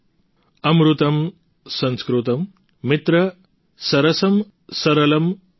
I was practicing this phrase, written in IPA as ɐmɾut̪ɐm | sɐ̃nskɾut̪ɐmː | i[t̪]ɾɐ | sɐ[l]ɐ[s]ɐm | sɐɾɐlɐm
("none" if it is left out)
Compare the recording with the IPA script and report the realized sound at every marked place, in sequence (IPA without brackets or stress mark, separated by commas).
t̪, ɾ, s